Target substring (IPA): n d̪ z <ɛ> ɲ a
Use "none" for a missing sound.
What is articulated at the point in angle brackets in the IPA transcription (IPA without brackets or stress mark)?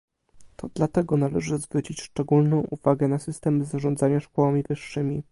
a